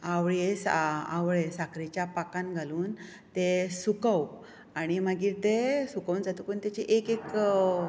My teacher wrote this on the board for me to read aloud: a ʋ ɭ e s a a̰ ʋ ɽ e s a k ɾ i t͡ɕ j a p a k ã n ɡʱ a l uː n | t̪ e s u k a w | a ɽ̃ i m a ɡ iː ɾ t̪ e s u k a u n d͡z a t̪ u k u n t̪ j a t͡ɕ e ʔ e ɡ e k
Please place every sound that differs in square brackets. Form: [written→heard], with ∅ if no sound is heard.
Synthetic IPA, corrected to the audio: a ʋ ɭ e s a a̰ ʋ [ɽ→ɭ] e s a k ɾ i t͡ɕ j a p a k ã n ɡʱ a l uː n | t̪ e s u k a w | a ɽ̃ i m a ɡ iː ɾ t̪ e s u k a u n d͡z a t̪ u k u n t̪ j a t͡ɕ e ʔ e [ɡ→k] e k

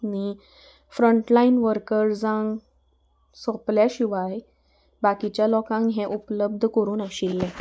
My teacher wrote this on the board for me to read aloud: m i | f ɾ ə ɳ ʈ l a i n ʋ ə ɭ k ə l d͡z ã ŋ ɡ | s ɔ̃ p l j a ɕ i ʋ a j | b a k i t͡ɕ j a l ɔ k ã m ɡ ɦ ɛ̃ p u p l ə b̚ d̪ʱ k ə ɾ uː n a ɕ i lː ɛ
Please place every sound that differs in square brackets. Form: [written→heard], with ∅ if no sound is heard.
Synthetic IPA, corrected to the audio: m i | f ɾ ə ɳ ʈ l a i n ʋ ə [ɭ→ɾ] k ə [l→ɾ] d͡z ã ŋ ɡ | s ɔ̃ p l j a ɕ i ʋ a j | b a k i t͡ɕ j a l ɔ k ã [m→ŋ] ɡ ɦ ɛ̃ [p→ʔ] u p l ə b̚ d̪ʱ k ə ɾ uː n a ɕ i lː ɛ

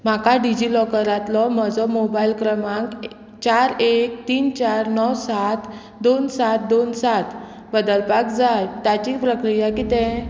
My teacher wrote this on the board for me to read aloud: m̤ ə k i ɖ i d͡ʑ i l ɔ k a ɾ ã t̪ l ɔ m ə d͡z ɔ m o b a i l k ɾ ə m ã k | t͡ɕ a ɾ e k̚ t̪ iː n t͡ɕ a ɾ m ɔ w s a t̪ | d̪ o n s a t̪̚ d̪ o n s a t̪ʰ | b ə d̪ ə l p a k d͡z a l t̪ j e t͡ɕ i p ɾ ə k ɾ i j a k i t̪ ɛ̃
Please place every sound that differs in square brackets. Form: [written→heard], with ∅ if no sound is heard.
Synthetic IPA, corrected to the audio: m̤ [ə→a] k [i→a] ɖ i d͡ʑ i l ɔ k [a→ə] ɾ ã t̪ l ɔ m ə d͡z ɔ m o b a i l k ɾ ə m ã k | t͡ɕ a ɾ e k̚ t̪ iː n t͡ɕ a ɾ [m→n] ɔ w s a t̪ | d̪ o n s a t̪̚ d̪ o n s a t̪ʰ | b ə d̪ ə l p a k d͡z a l t̪ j [e→a] t͡ɕ i p ɾ ə k ɾ i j a k i t̪ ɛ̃

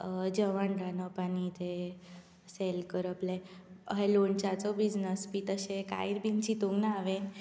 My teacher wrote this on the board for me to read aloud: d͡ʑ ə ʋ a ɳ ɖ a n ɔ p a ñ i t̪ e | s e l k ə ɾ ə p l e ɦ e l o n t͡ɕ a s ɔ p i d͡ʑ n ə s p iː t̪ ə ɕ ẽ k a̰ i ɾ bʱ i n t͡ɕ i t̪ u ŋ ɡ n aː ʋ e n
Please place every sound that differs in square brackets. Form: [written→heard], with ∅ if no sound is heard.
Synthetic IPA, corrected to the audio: d͡ʑ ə ʋ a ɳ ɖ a n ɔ p a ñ i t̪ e | s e l k ə ɾ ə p l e ɦ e l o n t͡ɕ a [s→t͡s] ɔ [p→b] i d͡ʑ n ə s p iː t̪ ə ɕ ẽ k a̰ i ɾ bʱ i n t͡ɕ i t̪ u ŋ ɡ n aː ʋ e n

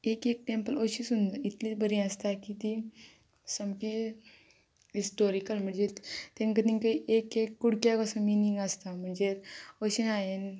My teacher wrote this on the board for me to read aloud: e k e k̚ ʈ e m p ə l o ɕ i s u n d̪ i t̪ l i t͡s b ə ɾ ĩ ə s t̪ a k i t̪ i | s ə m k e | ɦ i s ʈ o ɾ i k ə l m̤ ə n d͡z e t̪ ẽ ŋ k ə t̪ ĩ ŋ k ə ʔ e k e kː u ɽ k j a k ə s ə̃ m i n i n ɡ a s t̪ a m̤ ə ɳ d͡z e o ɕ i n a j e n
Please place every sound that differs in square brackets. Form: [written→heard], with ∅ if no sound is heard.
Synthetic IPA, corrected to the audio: e k e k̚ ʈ e m p ə l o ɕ i s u n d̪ i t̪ l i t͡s b ə ɾ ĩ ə s t̪ a k i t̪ i | s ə m k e | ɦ i s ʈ o ɾ i k ə l m̤ ə [n→ɳ] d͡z e t̪ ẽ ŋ k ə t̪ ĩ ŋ k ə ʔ e k e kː u ɽ k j a k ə s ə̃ m i n i [n→ŋ] ɡ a s t̪ a m̤ ə ɳ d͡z e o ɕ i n a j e n

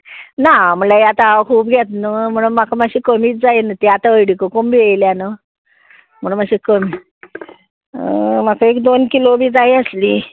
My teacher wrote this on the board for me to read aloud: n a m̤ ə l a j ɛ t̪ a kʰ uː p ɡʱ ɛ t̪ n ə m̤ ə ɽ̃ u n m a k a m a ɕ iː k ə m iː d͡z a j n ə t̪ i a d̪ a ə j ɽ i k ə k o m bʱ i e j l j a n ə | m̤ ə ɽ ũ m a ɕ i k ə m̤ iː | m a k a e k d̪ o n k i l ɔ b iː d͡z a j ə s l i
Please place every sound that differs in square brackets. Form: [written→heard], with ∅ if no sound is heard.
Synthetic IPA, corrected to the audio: n a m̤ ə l a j [ɛ→a] t̪ a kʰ uː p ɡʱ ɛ t̪ n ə m̤ ə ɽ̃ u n m a k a m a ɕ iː k ə m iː d͡z a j n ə t̪ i a [d̪→t̪] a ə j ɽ i k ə k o m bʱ i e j l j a n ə | m̤ ə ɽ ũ m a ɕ i k ə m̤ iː | m a k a e k d̪ o n k i l [ɔ→o] b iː d͡z a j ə s l i

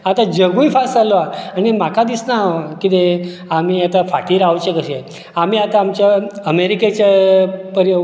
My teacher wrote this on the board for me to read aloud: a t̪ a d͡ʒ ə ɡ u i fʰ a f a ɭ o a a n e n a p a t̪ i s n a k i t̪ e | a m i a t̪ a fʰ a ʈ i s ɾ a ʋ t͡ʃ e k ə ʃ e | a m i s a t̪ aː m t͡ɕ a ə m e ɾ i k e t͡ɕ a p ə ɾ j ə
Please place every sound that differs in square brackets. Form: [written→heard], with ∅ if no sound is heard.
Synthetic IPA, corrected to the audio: a t̪ a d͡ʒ ə ɡ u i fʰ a [f→s] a [ɭ→l] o a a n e [n→m] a [p→k] a [t̪→d̪] i s n a k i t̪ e | a m i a t̪ a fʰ a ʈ i [s→∅] ɾ a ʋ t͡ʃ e k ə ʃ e | a m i [s→∅] a t̪ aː m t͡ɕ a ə m e ɾ i k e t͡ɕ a p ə ɾ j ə

